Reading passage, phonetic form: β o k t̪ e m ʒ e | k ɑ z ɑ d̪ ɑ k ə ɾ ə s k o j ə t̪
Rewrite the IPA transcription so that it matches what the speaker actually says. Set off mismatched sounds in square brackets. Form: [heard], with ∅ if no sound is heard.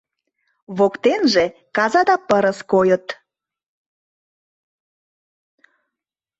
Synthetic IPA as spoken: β o k t̪ e [n] ʒ e | k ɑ z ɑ d̪ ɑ [p] ə ɾ ə s k o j ə t̪